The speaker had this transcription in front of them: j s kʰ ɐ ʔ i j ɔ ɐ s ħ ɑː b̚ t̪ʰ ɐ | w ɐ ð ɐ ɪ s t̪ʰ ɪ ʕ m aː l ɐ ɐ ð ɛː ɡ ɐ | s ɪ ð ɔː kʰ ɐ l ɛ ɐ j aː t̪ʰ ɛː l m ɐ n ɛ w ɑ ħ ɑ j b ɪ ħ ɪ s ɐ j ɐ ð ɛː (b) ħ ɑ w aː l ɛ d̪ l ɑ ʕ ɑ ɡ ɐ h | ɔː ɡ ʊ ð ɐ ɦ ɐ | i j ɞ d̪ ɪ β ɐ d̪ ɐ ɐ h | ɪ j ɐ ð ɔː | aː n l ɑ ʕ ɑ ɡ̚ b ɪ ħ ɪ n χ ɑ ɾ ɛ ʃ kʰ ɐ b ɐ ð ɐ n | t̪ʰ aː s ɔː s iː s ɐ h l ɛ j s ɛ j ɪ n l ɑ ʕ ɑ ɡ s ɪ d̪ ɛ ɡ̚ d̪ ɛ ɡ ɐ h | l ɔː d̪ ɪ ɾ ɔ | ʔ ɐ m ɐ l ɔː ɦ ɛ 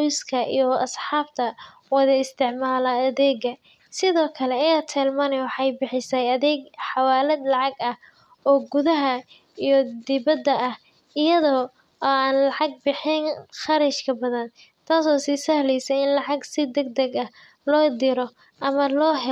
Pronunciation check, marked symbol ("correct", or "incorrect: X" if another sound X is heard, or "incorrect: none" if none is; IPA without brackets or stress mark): incorrect: ɡ